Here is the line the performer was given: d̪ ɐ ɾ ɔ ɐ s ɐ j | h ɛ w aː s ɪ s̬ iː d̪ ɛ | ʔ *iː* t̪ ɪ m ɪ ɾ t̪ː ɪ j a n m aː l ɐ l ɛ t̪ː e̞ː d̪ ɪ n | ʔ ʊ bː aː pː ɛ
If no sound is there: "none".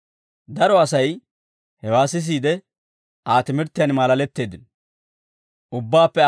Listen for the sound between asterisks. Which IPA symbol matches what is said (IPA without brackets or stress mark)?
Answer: aː